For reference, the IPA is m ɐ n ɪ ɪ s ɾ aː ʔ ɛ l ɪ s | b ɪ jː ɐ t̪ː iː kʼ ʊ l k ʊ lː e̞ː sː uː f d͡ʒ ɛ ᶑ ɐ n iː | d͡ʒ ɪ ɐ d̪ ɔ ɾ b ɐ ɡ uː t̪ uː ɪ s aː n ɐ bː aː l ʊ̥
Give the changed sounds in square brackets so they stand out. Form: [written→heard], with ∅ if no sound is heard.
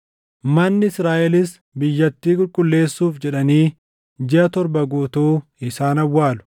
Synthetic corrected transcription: m ɐ [n→nː] ɪ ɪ s ɾ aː ʔ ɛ l ɪ s | b ɪ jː ɐ t̪ː iː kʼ ʊ l [k→kʼ] ʊ lː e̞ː sː uː f d͡ʒ ɛ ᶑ ɐ n iː | d͡ʒ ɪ ɐ [d̪→t̪] ɔ ɾ b ɐ ɡ uː t̪ uː ɪ s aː n ɐ [bː→wː] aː l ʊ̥